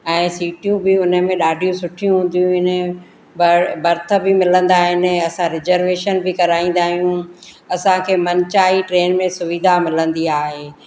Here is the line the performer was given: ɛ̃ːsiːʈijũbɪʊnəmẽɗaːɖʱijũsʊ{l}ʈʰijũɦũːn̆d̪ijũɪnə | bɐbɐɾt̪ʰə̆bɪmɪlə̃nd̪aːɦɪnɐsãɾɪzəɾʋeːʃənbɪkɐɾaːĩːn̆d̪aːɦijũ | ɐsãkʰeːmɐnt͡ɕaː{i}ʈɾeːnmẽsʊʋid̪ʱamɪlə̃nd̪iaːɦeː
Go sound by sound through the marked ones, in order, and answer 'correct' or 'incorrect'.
incorrect, correct

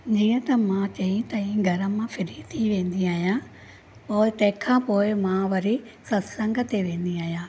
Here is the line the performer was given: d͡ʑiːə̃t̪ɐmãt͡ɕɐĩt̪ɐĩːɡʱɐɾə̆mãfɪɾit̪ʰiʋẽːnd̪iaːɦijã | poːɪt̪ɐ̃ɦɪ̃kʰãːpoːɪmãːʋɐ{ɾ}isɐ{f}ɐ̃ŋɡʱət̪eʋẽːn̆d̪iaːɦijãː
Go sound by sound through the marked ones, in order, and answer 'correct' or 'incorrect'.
correct, incorrect

